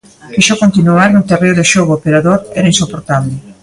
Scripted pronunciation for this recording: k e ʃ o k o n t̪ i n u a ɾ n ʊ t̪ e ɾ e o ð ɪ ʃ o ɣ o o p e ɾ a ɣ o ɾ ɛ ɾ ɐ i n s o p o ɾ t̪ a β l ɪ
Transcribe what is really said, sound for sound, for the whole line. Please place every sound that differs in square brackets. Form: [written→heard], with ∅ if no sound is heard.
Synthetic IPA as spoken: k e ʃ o k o n t̪ i n u a ɾ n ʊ t̪ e [ɾ→r] e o ð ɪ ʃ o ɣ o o p e ɾ a [ɣ→ð] o ɾ ɛ ɾ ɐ i n s o p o ɾ t̪ a β l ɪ